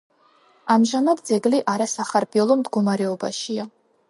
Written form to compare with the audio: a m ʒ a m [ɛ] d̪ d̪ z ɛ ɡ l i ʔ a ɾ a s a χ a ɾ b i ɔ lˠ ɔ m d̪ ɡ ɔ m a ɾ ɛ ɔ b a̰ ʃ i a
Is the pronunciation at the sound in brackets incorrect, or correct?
incorrect